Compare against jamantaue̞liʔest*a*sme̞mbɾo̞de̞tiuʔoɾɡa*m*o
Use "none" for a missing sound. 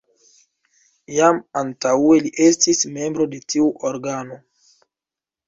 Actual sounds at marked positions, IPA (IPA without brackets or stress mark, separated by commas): i, n